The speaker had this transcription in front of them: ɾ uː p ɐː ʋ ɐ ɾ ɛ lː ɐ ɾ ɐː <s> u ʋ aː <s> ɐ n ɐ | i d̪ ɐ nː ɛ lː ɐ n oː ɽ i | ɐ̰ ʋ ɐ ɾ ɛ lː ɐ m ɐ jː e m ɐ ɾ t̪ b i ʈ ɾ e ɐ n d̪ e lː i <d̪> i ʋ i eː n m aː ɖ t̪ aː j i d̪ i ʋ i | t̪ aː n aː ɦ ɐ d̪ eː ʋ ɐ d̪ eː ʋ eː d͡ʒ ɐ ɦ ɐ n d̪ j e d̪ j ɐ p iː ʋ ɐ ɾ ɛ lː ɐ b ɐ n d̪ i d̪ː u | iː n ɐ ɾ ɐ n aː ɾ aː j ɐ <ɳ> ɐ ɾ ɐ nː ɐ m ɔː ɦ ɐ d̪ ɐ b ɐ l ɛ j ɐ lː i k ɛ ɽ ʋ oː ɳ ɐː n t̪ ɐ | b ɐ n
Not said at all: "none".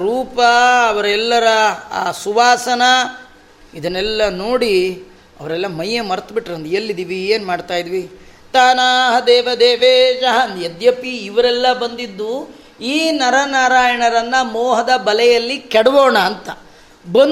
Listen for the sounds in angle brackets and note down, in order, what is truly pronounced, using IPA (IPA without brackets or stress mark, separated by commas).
s, s, d̪, ɳ